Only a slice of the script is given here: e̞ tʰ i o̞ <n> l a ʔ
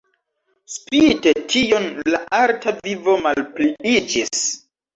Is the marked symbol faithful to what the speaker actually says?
yes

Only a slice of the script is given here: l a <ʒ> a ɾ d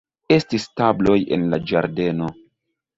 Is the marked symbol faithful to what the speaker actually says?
no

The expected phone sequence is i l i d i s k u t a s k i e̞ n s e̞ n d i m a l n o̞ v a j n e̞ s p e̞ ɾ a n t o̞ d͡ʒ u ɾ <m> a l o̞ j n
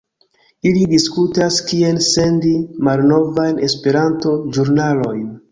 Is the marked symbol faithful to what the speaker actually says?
no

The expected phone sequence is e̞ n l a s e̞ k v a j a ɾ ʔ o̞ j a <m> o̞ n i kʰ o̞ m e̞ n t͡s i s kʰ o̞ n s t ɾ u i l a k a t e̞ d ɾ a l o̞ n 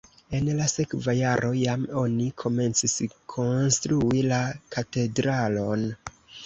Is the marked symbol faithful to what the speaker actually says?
yes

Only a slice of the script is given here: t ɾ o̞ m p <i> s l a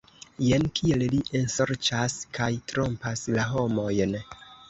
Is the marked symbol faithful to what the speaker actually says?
no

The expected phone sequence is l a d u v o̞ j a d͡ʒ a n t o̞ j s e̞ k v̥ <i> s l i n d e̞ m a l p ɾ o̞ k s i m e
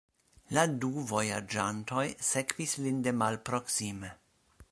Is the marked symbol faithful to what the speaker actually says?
yes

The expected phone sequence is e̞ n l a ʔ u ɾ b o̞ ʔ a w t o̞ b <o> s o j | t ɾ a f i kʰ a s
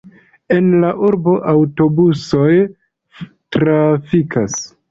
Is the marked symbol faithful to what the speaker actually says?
no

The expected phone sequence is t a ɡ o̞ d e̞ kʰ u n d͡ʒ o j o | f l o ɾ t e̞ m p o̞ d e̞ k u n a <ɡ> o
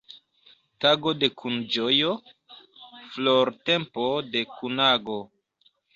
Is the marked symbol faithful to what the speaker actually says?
yes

